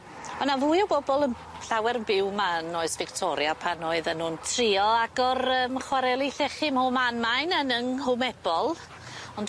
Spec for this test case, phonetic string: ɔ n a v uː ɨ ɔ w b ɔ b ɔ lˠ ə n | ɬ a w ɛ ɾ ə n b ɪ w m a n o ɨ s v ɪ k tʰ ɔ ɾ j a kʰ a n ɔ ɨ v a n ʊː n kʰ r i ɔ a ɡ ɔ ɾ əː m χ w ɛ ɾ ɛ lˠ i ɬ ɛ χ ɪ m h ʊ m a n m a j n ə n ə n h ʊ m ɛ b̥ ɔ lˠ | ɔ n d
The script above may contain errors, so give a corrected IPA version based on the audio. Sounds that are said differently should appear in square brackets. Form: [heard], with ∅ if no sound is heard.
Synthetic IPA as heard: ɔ n a v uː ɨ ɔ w b ɔ b ɔ lˠ ə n | ɬ a w ɛ ɾ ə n b ɪ w m a n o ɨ s v ɪ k tʰ ɔ ɾ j a [pʰ] a n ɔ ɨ [ð] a n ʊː n [tʰ] r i ɔ a ɡ ɔ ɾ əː m χ w [a] ɾ ɛ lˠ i ɬ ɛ χ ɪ m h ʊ m a n m a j n ə n ə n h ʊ m ɛ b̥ ɔ lˠ | ɔ n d